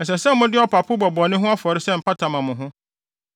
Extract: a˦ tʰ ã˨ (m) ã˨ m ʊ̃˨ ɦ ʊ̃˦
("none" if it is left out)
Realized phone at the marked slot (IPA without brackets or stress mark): m